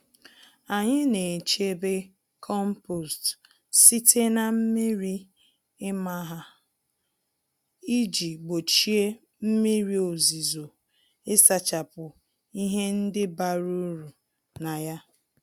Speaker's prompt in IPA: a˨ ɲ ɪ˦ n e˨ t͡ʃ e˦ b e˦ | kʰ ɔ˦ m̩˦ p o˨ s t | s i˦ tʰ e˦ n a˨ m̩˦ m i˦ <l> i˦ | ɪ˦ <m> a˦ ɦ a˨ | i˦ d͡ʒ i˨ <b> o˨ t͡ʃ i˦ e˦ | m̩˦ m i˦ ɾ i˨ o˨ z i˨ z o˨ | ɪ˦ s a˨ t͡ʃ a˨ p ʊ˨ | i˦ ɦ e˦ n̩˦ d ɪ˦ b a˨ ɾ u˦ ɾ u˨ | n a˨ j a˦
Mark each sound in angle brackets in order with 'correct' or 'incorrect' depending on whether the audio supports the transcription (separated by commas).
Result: incorrect, correct, incorrect